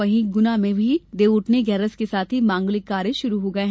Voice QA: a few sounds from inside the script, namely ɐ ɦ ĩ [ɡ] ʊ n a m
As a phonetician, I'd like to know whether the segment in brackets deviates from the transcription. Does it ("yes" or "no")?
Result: no